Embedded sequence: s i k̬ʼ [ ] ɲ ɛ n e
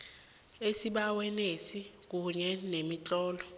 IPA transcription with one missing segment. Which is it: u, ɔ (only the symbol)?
u